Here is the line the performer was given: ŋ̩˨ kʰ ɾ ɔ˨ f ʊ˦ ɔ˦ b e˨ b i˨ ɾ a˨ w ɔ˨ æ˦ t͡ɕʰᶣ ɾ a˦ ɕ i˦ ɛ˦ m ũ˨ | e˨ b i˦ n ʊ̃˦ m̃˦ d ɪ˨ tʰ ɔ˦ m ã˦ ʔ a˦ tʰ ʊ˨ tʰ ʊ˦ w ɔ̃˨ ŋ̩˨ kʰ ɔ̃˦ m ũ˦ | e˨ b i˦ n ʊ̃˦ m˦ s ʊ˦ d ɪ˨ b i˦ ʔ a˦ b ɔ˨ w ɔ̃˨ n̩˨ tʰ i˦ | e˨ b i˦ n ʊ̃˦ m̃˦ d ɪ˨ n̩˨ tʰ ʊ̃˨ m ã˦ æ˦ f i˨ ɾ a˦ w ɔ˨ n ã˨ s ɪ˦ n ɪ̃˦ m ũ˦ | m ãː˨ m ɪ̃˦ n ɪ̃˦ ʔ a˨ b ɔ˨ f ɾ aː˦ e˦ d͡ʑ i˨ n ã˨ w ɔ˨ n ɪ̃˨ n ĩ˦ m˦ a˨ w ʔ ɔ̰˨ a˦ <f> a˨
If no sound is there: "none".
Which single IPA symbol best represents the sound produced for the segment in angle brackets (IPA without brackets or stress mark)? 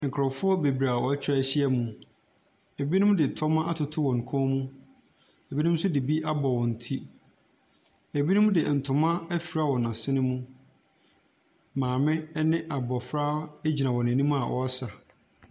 s